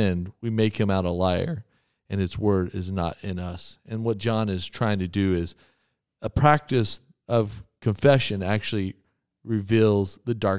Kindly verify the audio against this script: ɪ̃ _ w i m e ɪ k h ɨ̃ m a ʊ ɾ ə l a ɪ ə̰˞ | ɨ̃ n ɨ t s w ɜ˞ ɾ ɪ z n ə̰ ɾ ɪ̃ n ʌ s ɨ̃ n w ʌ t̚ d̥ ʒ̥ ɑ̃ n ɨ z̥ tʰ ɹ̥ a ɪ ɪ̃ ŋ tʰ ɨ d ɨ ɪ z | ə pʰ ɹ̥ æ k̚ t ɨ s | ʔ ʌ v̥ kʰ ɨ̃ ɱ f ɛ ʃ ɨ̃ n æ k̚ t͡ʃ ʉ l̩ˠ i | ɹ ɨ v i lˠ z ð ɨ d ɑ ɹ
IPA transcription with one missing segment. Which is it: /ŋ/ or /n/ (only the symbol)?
n